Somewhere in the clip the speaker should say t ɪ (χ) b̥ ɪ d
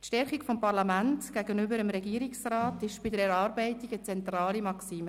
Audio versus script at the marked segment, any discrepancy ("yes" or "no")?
yes